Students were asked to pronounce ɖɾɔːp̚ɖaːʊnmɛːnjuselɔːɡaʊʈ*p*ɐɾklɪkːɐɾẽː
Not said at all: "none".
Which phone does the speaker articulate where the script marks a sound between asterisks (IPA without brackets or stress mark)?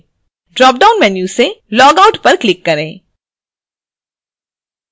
p